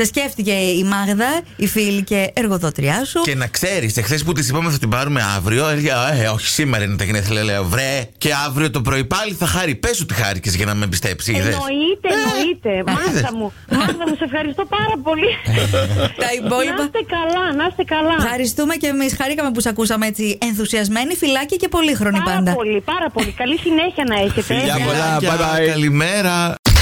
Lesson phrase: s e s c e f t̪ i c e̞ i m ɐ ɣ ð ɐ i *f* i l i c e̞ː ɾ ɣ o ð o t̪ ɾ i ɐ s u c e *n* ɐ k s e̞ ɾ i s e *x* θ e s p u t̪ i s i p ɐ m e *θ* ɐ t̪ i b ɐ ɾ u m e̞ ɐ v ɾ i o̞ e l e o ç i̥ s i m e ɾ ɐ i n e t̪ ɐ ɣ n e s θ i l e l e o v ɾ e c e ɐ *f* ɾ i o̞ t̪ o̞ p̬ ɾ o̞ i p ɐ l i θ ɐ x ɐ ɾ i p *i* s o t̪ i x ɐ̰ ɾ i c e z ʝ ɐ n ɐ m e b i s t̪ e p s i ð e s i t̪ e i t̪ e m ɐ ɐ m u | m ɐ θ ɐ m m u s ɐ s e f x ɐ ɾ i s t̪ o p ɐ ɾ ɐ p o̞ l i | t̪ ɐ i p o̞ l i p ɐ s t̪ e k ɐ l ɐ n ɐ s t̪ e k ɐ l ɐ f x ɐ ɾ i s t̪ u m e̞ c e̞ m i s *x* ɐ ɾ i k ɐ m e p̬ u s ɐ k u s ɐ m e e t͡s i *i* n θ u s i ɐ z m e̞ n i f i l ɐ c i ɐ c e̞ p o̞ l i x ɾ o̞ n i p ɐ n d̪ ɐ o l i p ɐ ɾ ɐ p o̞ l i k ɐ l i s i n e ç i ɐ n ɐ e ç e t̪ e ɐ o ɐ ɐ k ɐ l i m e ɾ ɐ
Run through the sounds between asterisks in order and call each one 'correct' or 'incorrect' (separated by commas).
correct, correct, correct, correct, incorrect, incorrect, correct, incorrect